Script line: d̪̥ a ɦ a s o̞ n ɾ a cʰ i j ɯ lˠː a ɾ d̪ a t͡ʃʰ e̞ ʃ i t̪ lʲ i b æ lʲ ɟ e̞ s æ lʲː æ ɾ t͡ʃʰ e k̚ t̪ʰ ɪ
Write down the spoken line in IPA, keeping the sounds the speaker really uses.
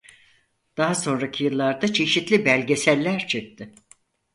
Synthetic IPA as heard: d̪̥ a ɦ a s o̞ n ɾ a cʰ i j ɯ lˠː a ɾ d̪ a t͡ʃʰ e̞ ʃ i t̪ lʲ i b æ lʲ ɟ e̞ s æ lʲː æ ɾ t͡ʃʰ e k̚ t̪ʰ ɪ